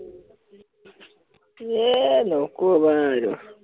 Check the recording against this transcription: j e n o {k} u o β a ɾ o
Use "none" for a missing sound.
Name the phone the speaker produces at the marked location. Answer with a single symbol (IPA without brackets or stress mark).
k